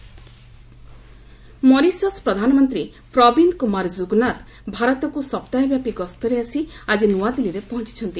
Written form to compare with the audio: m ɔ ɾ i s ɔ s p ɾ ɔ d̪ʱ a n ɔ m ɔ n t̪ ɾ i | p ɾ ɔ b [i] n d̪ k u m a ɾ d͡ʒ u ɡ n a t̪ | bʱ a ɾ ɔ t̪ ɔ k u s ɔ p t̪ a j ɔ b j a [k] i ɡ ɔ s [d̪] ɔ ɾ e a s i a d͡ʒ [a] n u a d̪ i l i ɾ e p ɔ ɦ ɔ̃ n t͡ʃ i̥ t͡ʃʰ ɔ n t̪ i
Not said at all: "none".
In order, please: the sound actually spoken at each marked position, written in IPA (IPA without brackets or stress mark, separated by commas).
i, p, t̪, i